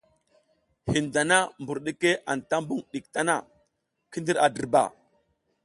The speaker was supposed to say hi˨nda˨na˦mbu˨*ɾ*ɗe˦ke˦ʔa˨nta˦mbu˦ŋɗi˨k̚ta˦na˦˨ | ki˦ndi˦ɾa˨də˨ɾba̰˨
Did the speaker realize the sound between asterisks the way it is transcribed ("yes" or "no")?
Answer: yes